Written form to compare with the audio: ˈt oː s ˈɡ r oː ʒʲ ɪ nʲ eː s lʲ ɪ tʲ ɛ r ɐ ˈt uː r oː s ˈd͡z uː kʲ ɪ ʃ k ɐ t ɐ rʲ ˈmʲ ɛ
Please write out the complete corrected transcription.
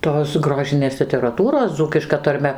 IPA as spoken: ˈt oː s ˈɡ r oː ʒʲ ɪ nʲ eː s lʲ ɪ tʲ ɛ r ɐ ˈt uː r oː s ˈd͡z uː kʲ ɪ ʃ k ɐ t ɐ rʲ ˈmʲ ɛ